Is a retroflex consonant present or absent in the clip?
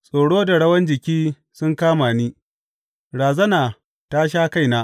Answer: present